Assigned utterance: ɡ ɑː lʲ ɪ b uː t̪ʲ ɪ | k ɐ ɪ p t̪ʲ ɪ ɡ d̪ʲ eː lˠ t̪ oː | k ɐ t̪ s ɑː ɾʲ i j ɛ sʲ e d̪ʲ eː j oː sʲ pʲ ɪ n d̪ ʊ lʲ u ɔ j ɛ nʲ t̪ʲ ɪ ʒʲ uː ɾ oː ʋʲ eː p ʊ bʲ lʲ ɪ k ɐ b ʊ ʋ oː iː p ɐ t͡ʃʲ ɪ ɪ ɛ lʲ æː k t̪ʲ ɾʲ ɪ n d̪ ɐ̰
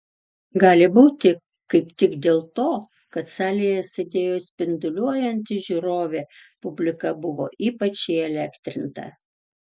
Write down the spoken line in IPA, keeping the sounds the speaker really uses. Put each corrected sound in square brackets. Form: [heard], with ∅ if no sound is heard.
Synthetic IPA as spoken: ɡ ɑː lʲ ɪ b uː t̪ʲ ɪ | k ɐ ɪ p t̪ʲ ɪ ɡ d̪ʲ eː lˠ t̪ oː | k ɐ t̪ s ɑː [lʲ] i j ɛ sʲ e d̪ʲ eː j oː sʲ pʲ ɪ n d̪ ʊ lʲ u ɔ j ɛ nʲ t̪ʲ ɪ ʒʲ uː ɾ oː ʋʲ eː p ʊ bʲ lʲ ɪ k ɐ b ʊ ʋ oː iː p ɐ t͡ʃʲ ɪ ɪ ɛ lʲ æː k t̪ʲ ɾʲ ɪ n [t̪] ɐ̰